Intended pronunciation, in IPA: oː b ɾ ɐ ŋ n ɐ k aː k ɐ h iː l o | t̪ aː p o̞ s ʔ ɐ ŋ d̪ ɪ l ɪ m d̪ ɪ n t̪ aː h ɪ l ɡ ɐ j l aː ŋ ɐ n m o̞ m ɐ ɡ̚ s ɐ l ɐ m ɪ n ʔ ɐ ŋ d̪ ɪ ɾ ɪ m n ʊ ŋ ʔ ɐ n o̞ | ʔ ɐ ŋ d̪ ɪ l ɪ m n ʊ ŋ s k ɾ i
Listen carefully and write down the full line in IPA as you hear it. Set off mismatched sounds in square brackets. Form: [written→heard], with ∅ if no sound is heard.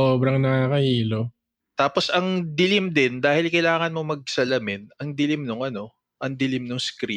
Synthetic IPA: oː b ɾ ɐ ŋ n ɐ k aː k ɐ h iː l o | t̪ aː p o̞ s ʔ ɐ ŋ d̪ ɪ l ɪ m d̪ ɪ n [t̪→d̪] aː h ɪ l [ɡ→k] ɐ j l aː ŋ ɐ n m o̞ m ɐ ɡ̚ s ɐ l ɐ m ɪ n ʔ ɐ ŋ d̪ ɪ [ɾ→l] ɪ m n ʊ ŋ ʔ ɐ n o̞ | ʔ ɐ ŋ d̪ ɪ l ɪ m n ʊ ŋ s k ɾ i